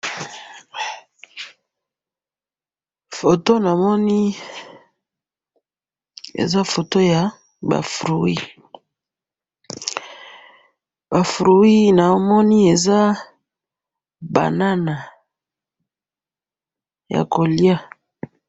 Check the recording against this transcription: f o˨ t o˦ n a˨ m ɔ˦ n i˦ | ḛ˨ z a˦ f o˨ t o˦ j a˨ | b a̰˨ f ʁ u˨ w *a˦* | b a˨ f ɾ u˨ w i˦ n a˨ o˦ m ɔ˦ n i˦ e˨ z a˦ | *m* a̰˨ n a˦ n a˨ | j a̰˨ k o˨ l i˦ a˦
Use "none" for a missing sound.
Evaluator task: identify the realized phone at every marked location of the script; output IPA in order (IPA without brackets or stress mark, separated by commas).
i˦, b